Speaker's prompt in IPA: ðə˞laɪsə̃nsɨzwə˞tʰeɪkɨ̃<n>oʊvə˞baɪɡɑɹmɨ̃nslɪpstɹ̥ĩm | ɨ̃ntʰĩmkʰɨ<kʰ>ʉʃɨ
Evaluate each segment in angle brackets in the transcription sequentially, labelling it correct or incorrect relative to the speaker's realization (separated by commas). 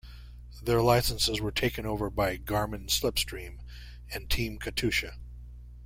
correct, incorrect